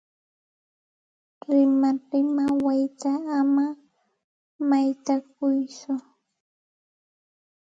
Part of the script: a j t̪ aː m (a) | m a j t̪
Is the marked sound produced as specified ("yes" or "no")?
yes